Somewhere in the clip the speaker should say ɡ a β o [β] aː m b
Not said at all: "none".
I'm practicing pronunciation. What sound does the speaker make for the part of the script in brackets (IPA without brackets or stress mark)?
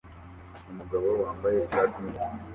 w